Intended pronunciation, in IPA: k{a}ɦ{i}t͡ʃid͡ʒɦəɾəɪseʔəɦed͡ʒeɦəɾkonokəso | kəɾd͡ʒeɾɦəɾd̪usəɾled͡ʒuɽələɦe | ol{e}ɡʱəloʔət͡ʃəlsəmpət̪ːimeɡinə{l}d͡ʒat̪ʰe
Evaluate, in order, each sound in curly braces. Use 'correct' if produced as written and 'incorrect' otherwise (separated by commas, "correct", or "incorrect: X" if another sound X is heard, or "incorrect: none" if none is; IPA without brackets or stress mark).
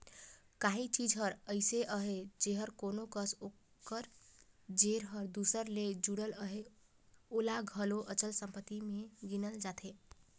correct, correct, incorrect: a, correct